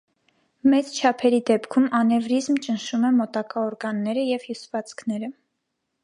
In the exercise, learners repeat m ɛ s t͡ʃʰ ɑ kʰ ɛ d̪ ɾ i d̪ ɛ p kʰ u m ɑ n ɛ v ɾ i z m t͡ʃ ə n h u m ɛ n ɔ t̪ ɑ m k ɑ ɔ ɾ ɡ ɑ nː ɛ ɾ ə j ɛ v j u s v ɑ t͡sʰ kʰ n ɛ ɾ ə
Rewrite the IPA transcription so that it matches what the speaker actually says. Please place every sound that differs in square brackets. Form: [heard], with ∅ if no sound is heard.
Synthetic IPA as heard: m ɛ [t͡s] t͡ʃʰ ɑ [pʰ] ɛ [∅] ɾ i d̪ ɛ p kʰ u m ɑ n ɛ v ɾ i z m t͡ʃ ə n [ʃ] u m ɛ [m] ɔ t̪ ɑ [∅] k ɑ ɔ ɾ ɡ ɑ nː ɛ ɾ ə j ɛ v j u s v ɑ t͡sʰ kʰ n ɛ ɾ ə